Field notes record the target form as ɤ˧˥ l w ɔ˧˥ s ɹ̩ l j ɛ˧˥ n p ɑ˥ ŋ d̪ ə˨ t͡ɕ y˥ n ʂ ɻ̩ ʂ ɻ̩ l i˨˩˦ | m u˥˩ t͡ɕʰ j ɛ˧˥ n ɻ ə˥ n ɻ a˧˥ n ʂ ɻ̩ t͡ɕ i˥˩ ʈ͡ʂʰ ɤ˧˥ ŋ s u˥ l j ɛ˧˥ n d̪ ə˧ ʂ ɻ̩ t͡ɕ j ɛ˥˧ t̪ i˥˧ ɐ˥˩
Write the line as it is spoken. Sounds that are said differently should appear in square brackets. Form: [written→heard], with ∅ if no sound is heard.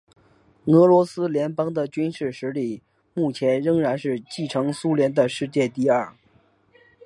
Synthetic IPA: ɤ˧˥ l w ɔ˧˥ s ɹ̩ l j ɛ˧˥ n p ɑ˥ ŋ d̪ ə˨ t͡ɕ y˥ n ʂ ɻ̩ ʂ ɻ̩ l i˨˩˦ | m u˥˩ t͡ɕʰ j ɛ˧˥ n ɻ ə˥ [n→ŋ] ɻ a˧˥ n ʂ ɻ̩ t͡ɕ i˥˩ ʈ͡ʂʰ ɤ˧˥ ŋ s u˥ l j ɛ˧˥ n d̪ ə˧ ʂ ɻ̩ t͡ɕ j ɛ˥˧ t̪ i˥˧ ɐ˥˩